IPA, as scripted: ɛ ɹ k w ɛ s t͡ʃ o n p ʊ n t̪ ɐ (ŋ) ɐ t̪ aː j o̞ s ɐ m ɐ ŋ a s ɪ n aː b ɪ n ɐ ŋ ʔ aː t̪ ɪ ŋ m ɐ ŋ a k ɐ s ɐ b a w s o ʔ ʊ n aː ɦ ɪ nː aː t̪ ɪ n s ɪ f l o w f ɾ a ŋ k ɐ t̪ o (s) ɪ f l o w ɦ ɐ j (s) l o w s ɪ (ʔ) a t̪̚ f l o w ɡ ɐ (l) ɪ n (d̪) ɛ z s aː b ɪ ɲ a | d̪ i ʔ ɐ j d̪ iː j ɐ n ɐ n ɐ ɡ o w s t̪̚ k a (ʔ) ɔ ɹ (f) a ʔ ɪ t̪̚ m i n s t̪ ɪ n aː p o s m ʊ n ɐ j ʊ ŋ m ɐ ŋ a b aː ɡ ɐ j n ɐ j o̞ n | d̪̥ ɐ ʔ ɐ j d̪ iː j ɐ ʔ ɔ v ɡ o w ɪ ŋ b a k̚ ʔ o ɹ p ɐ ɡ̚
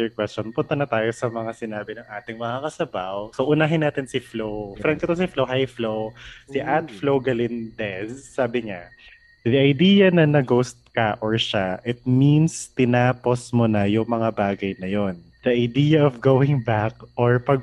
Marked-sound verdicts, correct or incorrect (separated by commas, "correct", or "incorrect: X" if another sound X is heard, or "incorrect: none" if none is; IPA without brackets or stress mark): incorrect: n, correct, incorrect: f, correct, correct, correct, correct, incorrect: ʃ